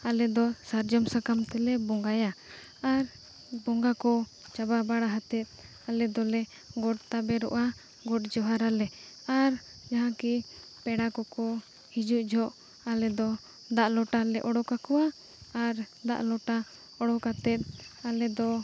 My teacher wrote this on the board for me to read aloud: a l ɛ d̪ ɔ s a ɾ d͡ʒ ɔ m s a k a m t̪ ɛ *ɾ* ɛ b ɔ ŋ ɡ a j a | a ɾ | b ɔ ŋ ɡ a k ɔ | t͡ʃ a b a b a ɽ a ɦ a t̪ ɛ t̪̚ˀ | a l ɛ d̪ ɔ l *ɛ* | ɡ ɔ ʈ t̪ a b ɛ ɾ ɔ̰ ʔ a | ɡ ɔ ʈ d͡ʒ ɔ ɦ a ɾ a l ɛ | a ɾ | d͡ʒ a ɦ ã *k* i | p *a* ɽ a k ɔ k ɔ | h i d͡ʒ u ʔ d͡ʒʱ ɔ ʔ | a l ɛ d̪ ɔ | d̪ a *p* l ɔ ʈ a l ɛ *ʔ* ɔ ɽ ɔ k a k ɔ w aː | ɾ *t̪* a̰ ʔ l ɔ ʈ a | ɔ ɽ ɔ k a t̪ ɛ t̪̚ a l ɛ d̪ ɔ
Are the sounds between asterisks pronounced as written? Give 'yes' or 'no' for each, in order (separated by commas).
no, yes, yes, no, no, yes, no